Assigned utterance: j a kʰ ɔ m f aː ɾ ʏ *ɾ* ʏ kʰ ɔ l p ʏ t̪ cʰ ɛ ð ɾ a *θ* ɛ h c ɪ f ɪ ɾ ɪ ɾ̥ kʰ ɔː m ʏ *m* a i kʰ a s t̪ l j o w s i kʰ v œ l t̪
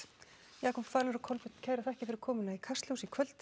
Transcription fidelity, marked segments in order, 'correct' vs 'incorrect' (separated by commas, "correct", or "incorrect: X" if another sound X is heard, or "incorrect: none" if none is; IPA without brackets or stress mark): correct, correct, incorrect: n